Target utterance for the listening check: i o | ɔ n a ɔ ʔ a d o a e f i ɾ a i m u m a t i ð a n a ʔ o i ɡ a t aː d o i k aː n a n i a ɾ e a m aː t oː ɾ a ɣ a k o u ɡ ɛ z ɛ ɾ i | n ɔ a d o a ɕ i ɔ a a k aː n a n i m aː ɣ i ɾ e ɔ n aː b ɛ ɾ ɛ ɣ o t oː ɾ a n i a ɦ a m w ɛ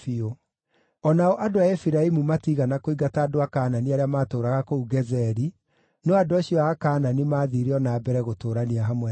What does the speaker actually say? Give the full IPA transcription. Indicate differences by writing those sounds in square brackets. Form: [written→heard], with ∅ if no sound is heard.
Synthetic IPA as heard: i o | ɔ n a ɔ ʔ a d o a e f i ɾ a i m u m a t i [ð→ɣ] a n a [ʔ→k] o i ɡ a t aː d o [i→a] k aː n a n i a ɾ e a m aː t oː ɾ a ɣ a k o u ɡ ɛ z ɛ ɾ i | n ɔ a d o a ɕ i ɔ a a k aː n a n i m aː [ɣ→ð] i ɾ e ɔ n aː b ɛ ɾ ɛ ɣ o t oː ɾ a n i a ɦ a m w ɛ

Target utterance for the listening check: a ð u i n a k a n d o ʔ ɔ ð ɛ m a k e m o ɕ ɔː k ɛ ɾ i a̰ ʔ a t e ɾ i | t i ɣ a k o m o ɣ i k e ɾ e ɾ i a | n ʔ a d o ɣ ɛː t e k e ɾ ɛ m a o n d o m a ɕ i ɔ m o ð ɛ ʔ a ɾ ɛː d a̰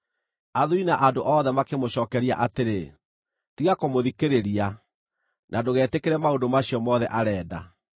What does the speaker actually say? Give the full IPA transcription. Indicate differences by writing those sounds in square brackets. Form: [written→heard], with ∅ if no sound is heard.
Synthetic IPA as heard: a ð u i n a [k→ʔ] a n d o ʔ ɔ ð ɛ m a k e m o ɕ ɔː k ɛ ɾ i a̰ ʔ a t e ɾ [i→e] | t i ɣ a k o m o [ɣ→ð] i k e ɾ e ɾ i a | n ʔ a d o ɣ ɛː t e k e ɾ ɛ m a o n d o m a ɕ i ɔ m [o→ɔ] ð ɛ ʔ a ɾ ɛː d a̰

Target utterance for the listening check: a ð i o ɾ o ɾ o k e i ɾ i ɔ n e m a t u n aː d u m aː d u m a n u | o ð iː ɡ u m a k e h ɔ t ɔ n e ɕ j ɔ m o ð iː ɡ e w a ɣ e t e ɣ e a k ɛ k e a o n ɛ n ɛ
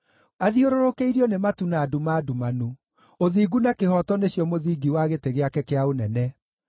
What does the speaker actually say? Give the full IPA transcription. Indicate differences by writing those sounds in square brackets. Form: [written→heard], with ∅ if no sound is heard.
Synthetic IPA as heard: a ð i o ɾ o ɾ o k e i ɾ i ɔ n e m a t u n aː d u m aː d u m a n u | o ð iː ɡ u [m→n] a k e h ɔ t ɔ n e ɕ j ɔ m o ð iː ɡ [e→i] w a ɣ e t e ɣ e a k ɛ k e a o n ɛ n ɛ

